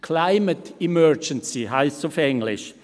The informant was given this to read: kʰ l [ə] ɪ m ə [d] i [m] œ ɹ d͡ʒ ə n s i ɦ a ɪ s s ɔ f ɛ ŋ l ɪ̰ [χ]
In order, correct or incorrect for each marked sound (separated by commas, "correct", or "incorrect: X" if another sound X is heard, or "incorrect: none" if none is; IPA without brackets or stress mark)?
incorrect: a, incorrect: t, correct, incorrect: ʃ